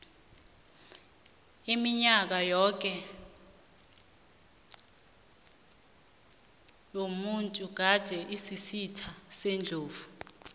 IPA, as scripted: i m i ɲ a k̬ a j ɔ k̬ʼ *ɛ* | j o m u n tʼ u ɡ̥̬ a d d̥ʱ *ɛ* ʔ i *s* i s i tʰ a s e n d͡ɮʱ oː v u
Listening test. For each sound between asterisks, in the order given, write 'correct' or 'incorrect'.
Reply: correct, correct, correct

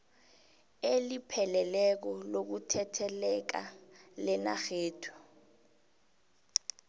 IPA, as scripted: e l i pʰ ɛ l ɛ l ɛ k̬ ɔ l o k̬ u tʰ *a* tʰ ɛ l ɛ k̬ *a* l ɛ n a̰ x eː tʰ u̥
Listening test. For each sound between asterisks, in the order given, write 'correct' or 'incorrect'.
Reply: incorrect: ɛ, correct

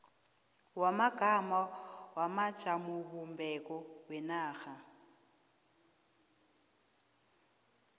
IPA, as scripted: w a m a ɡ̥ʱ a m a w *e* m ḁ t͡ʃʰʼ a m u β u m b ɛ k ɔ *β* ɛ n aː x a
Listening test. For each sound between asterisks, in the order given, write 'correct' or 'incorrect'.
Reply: incorrect: a, incorrect: w

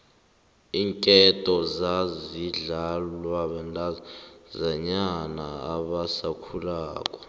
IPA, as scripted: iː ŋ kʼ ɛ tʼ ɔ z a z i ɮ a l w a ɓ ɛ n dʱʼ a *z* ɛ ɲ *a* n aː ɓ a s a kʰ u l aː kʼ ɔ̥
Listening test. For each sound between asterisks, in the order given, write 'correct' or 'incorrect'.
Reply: correct, correct

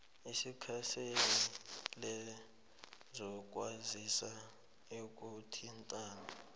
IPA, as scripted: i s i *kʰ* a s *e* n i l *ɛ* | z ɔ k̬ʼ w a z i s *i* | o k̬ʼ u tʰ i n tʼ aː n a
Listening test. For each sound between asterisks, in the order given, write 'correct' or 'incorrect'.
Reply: correct, correct, correct, incorrect: a

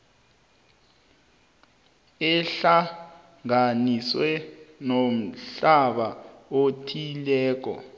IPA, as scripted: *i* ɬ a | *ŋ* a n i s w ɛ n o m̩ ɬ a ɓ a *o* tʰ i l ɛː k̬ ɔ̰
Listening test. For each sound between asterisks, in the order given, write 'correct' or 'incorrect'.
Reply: incorrect: ɛ, correct, correct

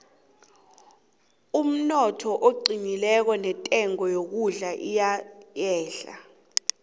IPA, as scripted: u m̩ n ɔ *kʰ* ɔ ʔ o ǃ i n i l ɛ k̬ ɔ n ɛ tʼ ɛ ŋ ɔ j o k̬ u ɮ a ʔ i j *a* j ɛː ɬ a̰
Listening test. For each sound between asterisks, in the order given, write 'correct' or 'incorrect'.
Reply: incorrect: tʰ, correct

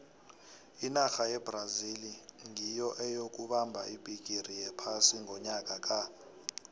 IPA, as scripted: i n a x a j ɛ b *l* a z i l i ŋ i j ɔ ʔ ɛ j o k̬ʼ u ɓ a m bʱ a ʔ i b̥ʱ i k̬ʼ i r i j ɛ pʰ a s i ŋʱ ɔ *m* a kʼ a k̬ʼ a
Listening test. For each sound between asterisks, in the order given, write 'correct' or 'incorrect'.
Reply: incorrect: r, incorrect: ɲ

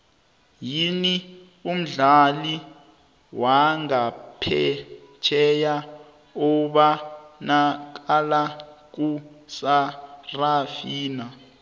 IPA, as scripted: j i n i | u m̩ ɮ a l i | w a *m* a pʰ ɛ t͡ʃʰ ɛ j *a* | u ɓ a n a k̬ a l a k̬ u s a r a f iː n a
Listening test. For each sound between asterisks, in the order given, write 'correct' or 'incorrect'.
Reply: incorrect: ŋ, correct

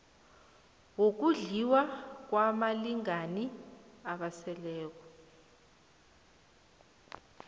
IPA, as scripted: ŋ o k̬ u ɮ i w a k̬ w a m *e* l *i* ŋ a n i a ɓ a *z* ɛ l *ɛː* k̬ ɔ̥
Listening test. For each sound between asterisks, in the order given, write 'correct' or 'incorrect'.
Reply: incorrect: a, correct, incorrect: s, correct

